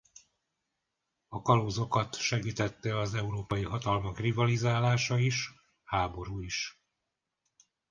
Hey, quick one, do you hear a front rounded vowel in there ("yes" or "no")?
no